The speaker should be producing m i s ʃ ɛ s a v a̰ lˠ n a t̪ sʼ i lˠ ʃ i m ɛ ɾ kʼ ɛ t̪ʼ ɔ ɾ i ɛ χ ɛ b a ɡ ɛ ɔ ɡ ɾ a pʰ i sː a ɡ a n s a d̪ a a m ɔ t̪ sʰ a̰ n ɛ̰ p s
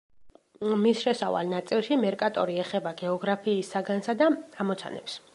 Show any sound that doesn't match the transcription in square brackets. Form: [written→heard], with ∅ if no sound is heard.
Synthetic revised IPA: m i s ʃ ɛ s a v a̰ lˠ n a t̪ sʼ i lˠ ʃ i m ɛ ɾ kʼ [ɛ→a] t̪ʼ ɔ ɾ i ɛ χ ɛ b a ɡ ɛ ɔ ɡ ɾ a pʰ [i→iː] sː a ɡ a n s a d̪ a a m ɔ t̪ sʰ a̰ n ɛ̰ p s